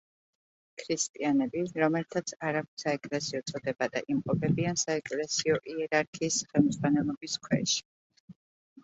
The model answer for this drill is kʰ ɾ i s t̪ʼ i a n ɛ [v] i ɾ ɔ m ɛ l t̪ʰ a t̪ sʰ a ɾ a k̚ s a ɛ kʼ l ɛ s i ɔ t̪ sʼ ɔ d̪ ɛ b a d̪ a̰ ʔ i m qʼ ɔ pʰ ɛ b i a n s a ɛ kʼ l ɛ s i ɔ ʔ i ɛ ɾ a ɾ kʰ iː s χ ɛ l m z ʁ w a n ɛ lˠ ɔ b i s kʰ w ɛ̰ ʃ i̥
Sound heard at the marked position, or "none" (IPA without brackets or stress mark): b